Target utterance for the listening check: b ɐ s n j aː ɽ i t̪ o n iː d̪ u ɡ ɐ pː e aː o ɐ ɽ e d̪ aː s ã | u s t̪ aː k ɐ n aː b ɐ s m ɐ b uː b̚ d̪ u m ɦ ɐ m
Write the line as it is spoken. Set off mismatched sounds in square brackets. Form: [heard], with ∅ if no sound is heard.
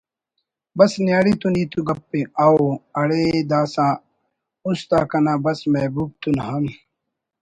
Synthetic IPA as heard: b ɐ s n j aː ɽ i t̪ [u] n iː [t̪] u ɡ ɐ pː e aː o ɐ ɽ e d̪ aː s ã | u s t̪ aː k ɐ n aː b ɐ s m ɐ b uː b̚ [t̪] u [n] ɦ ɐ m